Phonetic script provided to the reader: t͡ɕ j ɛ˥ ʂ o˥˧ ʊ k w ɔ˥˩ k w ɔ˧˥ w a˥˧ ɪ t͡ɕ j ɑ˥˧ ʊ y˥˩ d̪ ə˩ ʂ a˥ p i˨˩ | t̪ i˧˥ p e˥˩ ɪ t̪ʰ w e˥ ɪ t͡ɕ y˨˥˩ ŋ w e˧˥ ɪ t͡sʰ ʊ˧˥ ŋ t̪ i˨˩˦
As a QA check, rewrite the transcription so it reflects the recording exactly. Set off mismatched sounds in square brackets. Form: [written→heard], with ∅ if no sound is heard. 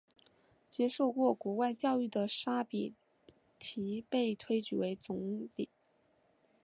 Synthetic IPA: t͡ɕ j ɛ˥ ʂ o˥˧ ʊ k w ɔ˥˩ k w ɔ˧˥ w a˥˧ ɪ t͡ɕ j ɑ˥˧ ʊ y˥˩ d̪ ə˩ ʂ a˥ p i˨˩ | [t̪→t̪ʰ] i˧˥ p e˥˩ ɪ t̪ʰ w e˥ ɪ t͡ɕ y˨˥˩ [ŋ→∅] w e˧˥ ɪ [t͡sʰ→t͡s] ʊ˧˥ ŋ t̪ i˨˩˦